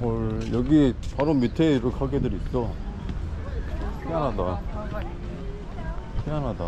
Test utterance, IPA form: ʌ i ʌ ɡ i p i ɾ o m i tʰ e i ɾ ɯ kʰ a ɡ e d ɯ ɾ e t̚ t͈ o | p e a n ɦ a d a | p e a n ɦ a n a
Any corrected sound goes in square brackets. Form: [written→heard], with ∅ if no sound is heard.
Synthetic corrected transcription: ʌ [i→j] ʌ ɡ i p [i→a] ɾ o m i tʰ e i ɾ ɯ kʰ a ɡ e d ɯ ɾ [e→i] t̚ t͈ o | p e a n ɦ a d a | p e a n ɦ a [n→d] a